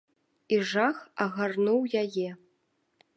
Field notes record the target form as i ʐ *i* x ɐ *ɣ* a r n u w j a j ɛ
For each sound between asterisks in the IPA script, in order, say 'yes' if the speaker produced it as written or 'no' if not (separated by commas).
no, yes